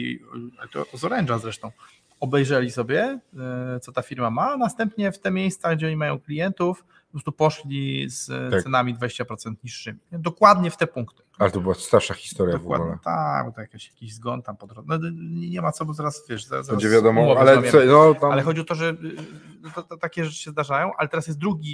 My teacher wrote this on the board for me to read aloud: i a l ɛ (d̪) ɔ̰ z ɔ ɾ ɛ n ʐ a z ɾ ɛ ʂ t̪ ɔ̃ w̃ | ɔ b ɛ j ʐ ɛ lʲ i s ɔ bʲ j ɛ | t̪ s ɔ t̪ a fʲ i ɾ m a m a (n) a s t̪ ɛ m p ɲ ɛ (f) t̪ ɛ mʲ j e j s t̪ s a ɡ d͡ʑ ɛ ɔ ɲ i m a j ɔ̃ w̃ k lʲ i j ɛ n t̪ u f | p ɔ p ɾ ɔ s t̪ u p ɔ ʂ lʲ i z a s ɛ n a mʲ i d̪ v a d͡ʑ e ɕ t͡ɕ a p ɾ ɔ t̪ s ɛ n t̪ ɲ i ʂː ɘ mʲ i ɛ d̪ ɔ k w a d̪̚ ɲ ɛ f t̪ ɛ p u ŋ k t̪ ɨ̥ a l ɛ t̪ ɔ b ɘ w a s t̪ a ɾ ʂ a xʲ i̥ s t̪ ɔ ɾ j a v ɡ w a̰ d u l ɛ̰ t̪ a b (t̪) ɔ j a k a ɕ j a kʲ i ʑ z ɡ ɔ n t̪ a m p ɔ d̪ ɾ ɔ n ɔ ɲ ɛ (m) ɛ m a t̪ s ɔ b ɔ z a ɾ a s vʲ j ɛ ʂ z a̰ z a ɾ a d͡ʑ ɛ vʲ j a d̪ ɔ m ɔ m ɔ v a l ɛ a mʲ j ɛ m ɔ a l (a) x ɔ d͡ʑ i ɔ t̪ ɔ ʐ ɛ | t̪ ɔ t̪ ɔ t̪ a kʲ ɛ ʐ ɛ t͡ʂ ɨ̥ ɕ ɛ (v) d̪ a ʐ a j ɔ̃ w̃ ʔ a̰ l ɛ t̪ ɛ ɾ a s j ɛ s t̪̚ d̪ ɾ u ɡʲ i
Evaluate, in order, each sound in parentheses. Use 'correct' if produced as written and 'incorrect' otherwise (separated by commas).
incorrect, correct, correct, correct, incorrect, incorrect, incorrect